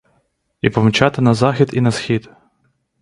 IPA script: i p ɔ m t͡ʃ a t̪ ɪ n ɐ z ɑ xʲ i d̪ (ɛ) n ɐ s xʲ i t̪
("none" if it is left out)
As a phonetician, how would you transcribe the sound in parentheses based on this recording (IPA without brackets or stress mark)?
i